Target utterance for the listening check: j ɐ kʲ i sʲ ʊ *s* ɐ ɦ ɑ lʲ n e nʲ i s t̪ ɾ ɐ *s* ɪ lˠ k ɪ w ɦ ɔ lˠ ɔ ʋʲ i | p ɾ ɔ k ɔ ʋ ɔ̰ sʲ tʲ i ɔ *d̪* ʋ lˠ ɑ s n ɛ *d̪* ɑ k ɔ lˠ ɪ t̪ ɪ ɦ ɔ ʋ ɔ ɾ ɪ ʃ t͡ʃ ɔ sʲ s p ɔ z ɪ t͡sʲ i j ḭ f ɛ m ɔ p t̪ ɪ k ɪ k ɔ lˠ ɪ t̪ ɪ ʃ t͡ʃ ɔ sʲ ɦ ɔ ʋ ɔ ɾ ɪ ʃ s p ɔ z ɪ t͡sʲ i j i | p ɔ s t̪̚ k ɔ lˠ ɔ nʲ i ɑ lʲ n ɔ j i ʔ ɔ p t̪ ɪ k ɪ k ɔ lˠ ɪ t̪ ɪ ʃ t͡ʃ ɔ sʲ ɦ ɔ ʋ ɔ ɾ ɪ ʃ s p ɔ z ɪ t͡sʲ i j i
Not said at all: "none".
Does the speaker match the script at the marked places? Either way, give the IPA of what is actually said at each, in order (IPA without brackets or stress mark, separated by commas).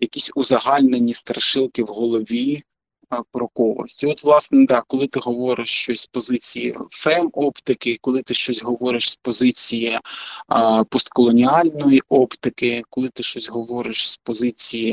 z, ʃ, t̪, d̪